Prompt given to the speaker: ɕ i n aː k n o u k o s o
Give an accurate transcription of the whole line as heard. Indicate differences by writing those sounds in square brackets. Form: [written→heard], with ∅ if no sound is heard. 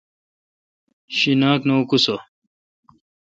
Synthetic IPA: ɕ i n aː k n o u k [o→u] s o